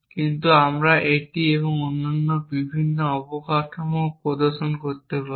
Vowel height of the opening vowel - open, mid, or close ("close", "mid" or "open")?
close